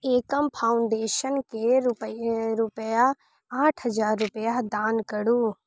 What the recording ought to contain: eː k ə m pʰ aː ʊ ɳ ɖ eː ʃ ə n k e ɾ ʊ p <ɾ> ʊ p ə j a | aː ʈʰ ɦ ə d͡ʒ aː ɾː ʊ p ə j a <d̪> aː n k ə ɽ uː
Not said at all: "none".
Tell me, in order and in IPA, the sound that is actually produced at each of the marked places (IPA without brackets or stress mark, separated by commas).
ɾ, d̪